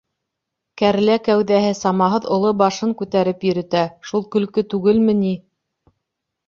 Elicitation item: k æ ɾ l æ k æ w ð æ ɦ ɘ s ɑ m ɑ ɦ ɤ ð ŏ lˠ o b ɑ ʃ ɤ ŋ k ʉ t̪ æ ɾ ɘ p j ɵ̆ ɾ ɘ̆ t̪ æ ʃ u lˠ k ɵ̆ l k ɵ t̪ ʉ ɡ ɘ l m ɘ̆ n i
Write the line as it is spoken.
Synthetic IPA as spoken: k æ ɾ l æ k æ w ð æ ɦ ɘ s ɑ m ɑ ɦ ɤ ð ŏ lˠ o b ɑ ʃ ɤ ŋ k ʉ t̪ æ ɾ ɘ p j ɵ̆ ɾ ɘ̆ t̪ æ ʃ u lˠ k ɵ̆ l k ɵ t̪ ʉ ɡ ɘ l m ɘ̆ n i